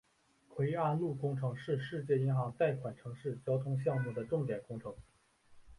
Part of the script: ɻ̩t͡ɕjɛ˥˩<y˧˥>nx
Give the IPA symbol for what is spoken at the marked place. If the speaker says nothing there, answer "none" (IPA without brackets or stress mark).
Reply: i˧˥